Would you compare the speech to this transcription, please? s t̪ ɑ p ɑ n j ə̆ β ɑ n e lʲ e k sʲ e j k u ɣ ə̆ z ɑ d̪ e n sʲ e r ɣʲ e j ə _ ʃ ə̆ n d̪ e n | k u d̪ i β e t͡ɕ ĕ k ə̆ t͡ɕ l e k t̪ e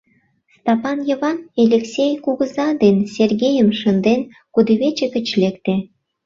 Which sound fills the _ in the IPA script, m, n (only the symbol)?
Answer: m